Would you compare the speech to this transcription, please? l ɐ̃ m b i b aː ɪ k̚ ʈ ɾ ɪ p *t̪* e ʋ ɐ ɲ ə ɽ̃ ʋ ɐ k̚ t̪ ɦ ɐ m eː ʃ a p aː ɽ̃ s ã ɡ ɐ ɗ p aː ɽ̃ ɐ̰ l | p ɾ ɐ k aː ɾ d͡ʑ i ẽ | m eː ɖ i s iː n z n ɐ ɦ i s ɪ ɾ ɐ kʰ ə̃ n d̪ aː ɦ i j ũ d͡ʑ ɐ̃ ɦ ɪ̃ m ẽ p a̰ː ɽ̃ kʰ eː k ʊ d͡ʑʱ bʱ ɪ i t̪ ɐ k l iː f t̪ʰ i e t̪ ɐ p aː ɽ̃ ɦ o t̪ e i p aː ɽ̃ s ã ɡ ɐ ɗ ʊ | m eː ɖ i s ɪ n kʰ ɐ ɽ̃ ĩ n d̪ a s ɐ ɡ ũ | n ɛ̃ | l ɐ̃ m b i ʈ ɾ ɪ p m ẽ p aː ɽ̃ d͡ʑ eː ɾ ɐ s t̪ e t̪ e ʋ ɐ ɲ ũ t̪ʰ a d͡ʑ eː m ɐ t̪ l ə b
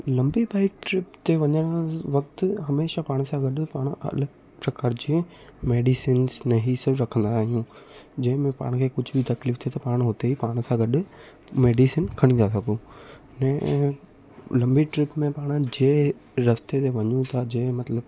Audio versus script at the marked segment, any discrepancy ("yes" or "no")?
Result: no